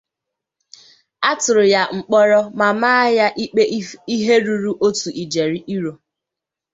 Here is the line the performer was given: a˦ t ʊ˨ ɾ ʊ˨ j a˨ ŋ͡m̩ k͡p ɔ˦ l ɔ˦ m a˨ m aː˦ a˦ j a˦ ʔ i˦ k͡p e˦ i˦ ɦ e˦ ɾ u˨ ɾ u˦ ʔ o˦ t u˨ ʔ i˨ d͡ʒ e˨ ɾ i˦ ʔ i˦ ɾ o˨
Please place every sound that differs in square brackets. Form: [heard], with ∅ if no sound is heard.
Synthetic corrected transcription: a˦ t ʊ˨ ɾ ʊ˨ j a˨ ŋ͡m̩ k͡p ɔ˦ [ɾ] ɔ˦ m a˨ m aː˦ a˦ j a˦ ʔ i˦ k͡p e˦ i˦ ɦ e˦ ɾ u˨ ɾ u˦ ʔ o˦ t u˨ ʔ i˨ d͡ʒ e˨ ɾ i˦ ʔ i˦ ɾ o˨